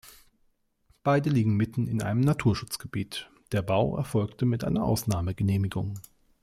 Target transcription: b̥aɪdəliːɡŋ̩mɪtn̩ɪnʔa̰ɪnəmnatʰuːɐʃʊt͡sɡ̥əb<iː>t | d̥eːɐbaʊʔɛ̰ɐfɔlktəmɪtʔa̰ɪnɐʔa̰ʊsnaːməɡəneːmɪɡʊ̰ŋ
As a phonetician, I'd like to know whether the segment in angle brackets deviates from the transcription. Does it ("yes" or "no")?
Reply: no